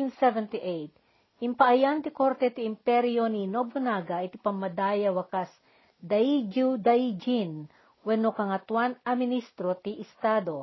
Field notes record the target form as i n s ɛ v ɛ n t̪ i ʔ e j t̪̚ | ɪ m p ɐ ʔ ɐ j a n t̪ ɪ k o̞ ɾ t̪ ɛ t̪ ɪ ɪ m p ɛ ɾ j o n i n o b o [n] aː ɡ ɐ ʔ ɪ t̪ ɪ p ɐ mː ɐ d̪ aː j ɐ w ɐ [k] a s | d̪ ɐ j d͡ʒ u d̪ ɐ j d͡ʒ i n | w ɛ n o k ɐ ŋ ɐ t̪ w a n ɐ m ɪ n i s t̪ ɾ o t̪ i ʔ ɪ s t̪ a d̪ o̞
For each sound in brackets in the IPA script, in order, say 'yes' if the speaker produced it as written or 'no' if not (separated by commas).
yes, yes